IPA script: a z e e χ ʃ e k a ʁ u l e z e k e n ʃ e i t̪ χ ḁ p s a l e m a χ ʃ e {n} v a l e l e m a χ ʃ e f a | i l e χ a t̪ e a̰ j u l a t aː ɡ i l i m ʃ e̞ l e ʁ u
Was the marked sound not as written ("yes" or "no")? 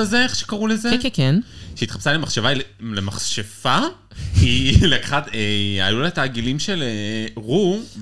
yes